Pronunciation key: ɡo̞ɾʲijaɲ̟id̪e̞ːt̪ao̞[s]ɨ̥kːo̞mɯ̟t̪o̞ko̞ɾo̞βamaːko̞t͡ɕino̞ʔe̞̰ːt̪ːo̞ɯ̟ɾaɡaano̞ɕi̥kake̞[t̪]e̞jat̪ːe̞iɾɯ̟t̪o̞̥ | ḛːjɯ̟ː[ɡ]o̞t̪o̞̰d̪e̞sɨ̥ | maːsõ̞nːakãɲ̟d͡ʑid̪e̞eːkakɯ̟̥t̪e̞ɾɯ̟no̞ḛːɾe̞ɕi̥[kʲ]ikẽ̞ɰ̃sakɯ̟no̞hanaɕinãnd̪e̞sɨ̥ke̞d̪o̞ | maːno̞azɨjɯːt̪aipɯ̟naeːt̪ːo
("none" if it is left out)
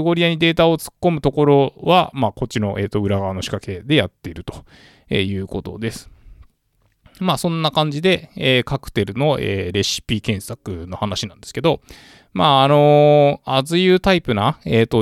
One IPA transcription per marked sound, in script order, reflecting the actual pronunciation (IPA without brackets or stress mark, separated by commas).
t͡s, d̪, k, pʲ